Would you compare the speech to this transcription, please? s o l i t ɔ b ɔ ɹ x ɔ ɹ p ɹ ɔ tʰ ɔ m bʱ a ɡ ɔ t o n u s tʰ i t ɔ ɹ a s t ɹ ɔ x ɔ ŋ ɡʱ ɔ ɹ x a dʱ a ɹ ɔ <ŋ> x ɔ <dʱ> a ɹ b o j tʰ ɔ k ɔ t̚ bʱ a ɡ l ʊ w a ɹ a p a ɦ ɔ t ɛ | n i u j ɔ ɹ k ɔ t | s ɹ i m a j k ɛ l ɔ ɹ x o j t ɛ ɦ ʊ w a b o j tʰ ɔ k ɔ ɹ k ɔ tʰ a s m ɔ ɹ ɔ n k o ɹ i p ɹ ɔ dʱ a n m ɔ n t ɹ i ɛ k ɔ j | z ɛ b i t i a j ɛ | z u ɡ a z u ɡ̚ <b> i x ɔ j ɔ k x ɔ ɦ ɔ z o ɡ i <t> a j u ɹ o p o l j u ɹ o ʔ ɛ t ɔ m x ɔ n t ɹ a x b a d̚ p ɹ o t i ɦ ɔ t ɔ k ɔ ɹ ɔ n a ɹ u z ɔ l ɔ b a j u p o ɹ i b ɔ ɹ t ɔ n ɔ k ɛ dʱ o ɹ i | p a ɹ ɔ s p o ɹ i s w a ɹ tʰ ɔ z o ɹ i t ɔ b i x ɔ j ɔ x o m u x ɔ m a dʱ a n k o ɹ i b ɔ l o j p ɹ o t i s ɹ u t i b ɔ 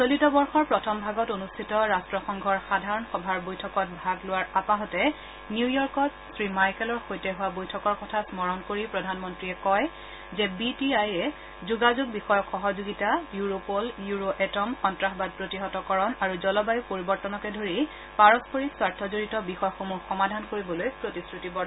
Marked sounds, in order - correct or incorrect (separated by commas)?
incorrect, incorrect, correct, correct